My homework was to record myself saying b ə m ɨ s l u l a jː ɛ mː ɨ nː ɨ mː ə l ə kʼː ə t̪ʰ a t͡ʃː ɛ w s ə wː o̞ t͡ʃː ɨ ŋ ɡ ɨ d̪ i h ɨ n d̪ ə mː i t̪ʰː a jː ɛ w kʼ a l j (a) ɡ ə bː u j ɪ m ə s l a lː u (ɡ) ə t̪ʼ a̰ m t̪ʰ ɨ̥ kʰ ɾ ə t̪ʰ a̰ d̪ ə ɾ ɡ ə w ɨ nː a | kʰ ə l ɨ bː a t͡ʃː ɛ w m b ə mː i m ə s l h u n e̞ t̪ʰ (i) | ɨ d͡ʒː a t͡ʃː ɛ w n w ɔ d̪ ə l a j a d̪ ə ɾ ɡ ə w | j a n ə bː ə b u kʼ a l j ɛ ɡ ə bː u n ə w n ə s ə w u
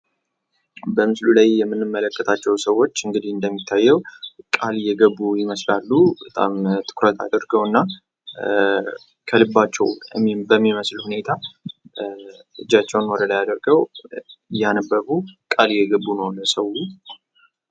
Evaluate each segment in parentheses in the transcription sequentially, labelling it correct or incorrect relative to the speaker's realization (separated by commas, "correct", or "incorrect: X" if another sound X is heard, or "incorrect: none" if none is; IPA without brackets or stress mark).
incorrect: ɛ, incorrect: b, incorrect: a